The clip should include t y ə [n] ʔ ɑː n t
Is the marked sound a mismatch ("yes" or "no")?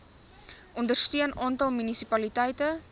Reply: no